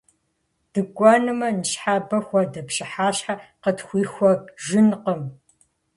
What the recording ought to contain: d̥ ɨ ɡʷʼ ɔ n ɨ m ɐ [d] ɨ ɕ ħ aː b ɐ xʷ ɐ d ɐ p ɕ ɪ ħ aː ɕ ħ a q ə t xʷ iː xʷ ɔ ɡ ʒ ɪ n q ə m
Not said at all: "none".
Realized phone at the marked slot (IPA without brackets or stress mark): n